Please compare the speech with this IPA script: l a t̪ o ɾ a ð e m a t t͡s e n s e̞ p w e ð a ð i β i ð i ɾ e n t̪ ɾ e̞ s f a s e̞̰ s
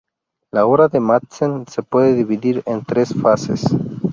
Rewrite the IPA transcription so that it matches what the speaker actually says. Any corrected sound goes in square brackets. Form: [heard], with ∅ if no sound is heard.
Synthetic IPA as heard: l a [∅] o ɾ a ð e m a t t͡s e n s e̞ p w e ð [e] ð i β i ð i ɾ e n t̪ ɾ e̞ s f a s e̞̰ s